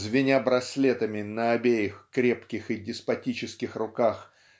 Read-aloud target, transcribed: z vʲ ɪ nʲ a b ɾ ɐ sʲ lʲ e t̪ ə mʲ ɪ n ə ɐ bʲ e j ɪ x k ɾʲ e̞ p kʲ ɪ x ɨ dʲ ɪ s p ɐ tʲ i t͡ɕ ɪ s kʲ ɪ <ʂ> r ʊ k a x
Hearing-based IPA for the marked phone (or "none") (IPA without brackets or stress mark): x